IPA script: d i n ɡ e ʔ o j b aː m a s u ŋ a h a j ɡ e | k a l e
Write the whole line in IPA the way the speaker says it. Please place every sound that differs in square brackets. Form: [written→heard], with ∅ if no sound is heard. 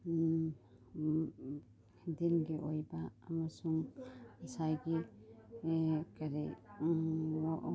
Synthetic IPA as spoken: d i n ɡ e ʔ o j b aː m a s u ŋ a [h→s] a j ɡ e | k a [l→ɾ] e